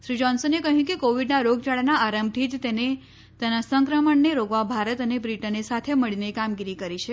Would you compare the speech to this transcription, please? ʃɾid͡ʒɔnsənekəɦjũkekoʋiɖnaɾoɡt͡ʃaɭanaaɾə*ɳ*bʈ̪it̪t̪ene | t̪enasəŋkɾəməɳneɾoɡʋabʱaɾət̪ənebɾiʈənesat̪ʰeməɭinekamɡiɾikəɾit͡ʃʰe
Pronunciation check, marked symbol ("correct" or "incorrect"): incorrect